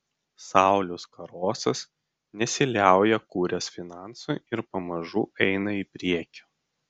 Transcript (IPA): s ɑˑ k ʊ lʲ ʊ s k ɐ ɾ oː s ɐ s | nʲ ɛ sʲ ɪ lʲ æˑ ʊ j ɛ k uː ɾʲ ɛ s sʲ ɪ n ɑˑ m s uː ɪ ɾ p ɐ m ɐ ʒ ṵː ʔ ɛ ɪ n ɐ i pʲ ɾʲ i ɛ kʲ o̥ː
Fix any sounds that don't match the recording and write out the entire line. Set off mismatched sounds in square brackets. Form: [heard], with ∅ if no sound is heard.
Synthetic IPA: s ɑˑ [∅] ʊ lʲ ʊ s k ɐ ɾ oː s ɐ s | nʲ ɛ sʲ ɪ lʲ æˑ ʊ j ɛ k uː ɾʲ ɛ s [fʲ] ɪ n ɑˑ [n] s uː ɪ ɾ p ɐ m ɐ ʒ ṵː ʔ ɛ ɪ n ɐ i pʲ ɾʲ i ɛ kʲ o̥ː

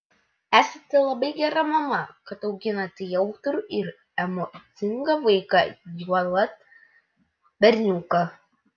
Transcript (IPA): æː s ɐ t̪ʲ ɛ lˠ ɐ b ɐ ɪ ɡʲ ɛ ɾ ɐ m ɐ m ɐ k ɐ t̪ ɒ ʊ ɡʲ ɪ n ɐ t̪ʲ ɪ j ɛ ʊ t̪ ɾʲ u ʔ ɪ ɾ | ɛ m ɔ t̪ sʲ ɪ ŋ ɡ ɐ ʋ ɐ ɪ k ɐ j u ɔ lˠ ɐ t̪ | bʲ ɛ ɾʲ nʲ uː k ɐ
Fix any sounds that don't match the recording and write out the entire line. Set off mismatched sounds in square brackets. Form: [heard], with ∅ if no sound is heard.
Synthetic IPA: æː s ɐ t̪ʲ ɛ lˠ ɐ b ɐ ɪ ɡʲ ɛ ɾ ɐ m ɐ m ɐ k ɐ t̪ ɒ ʊ ɡʲ ɪ n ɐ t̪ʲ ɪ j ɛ ʊ t̪ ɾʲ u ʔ ɪ ɾ | ɛ m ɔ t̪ sʲ ɪ ŋ ɡ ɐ ʋ ɐ ɪ k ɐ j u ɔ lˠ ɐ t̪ | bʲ ɛ ɾʲ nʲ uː k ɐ

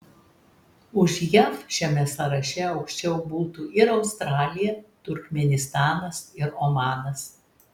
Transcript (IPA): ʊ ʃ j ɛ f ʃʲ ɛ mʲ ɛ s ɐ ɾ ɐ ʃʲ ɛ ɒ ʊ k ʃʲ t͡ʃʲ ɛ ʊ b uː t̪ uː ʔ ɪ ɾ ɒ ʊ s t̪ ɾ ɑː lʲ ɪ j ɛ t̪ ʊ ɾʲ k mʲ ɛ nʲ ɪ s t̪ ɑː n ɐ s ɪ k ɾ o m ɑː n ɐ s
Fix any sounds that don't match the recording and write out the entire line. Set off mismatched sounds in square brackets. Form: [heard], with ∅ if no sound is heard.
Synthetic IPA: ʊ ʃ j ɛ f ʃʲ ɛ mʲ ɛ s ɐ ɾ ɐ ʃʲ ɛ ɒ ʊ k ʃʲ t͡ʃʲ ɛ ʊ b uː t̪ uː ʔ ɪ ɾ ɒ ʊ s t̪ ɾ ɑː lʲ ɪ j ɛ t̪ ʊ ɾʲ k mʲ ɛ nʲ ɪ s t̪ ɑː n ɐ s ɪ [∅] ɾ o m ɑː n ɐ s

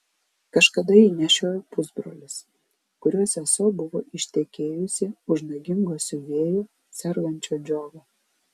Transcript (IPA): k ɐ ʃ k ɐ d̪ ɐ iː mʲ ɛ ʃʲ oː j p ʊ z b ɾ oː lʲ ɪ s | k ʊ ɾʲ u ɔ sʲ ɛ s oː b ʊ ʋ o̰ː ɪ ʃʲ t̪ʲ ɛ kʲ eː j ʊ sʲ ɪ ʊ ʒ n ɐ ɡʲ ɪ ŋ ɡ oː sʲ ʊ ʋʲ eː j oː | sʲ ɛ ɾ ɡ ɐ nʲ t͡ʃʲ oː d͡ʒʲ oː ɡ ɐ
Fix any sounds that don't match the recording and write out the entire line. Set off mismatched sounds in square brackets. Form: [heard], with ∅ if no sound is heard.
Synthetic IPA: k ɐ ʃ k ɐ d̪ ɐ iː [nʲ] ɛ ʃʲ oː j p ʊ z b ɾ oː lʲ ɪ s | k ʊ ɾʲ u ɔ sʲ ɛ s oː b ʊ ʋ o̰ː ɪ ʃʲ t̪ʲ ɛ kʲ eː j ʊ sʲ ɪ ʊ ʒ n ɐ ɡʲ ɪ ŋ ɡ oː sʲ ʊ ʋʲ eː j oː | sʲ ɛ ɾ ɡ ɐ nʲ t͡ʃʲ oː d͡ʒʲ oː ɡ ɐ

